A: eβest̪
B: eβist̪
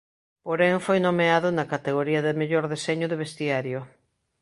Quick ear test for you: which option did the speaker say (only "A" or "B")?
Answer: A